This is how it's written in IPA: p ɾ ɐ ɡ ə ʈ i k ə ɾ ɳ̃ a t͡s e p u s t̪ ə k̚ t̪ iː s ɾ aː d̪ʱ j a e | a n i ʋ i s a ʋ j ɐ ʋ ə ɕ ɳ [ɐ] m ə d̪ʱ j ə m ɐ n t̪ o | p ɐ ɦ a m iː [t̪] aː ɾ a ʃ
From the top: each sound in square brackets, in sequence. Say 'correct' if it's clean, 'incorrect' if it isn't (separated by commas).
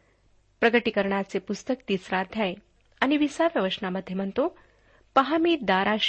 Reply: incorrect, incorrect